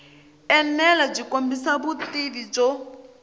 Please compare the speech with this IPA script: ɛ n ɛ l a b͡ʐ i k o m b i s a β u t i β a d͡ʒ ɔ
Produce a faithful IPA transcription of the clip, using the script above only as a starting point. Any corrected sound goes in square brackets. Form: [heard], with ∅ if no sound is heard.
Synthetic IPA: ɛ n ɛ l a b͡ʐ i k o m b i s a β u t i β [i] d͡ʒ ɔ